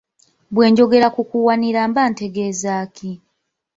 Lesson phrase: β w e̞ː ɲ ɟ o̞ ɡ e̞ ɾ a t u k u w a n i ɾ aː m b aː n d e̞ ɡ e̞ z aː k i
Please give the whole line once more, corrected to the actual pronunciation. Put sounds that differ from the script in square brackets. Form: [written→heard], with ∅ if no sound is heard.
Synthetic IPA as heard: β w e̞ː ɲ ɟ o̞ ɡ e̞ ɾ a [t→k] u k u w a n i ɾ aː m b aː n [d→t] e̞ ɡ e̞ z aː k i